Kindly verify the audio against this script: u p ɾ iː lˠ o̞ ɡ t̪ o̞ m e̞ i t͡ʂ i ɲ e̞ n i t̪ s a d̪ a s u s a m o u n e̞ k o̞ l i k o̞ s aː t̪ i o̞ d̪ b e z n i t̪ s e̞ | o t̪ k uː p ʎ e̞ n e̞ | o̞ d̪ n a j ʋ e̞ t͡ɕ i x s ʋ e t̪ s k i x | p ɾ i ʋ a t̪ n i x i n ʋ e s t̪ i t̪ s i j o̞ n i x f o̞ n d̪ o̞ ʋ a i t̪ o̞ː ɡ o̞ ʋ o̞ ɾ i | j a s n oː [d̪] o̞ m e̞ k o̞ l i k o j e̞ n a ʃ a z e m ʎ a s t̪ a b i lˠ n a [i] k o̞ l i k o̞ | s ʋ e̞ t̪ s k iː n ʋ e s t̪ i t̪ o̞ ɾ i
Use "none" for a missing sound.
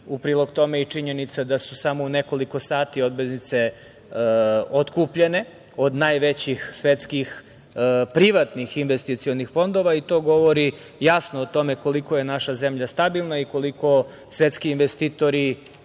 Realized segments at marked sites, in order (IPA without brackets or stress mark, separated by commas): t̪, i